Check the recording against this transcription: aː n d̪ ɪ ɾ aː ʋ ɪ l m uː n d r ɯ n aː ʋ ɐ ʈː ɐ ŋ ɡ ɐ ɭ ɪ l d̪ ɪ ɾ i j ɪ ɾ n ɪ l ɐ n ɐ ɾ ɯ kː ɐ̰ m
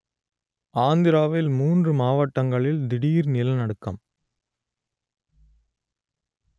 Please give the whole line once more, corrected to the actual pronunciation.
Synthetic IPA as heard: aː n d̪ ɪ ɾ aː ʋ ɪ l m uː n d r ɯ m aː ʋ ɐ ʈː ɐ ŋ ɡ ɐ ɭ ɪ l d̪ ɪ ɽ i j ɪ ɾ n ɪ l ɐ n ɐ ɽ ɯ kː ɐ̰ m